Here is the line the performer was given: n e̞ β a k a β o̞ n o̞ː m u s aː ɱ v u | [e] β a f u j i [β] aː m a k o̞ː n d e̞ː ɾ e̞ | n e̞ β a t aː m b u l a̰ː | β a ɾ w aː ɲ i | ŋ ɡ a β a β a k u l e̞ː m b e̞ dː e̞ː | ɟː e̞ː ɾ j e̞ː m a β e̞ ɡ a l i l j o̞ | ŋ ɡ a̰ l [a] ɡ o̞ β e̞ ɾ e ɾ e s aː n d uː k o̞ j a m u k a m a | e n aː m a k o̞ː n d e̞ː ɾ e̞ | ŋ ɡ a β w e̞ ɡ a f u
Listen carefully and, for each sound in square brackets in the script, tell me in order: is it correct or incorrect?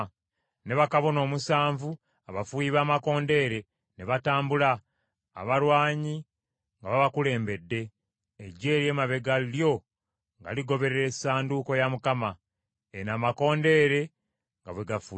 incorrect, correct, incorrect

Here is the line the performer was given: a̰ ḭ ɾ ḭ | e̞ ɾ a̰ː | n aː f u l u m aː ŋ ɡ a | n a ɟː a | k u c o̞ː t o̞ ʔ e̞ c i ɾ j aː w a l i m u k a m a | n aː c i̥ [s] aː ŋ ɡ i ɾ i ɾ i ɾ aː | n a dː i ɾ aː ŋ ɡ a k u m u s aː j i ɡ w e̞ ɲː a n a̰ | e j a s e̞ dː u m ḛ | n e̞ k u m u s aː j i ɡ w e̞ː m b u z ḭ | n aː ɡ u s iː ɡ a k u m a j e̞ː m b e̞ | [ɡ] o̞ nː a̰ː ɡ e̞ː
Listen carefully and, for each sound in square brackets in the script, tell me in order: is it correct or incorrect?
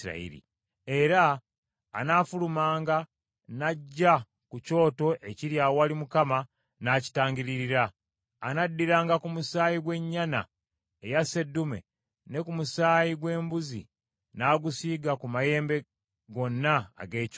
incorrect, correct

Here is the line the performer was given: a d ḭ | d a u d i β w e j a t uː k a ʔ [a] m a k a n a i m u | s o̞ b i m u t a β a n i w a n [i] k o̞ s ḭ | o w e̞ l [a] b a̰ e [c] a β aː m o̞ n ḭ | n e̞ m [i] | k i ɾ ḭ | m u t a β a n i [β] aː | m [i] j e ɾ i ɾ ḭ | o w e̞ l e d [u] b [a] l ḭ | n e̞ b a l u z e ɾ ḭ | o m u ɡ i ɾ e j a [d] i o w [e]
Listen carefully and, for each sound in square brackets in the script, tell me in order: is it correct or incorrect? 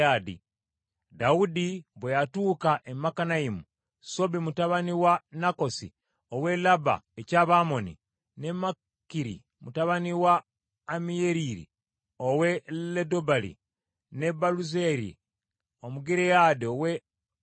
incorrect, incorrect, correct, correct, incorrect, incorrect, correct, incorrect, correct, correct, correct

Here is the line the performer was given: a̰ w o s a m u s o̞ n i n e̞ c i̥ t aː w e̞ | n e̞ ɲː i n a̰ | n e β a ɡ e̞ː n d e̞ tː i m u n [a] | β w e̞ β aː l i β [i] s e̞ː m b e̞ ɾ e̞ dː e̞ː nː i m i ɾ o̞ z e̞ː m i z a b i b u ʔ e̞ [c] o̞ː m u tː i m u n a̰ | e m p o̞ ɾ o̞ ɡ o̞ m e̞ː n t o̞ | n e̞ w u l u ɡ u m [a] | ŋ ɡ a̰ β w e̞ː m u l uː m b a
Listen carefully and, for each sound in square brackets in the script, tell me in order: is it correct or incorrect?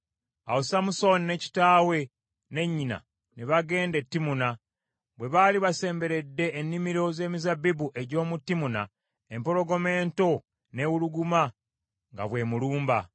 correct, incorrect, incorrect, correct

